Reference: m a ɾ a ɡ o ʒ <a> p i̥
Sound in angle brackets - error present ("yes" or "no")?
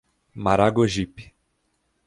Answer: yes